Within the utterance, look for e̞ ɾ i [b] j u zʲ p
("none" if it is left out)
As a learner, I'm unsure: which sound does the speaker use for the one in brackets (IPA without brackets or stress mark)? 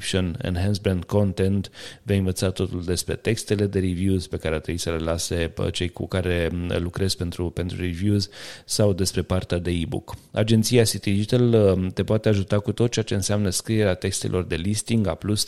v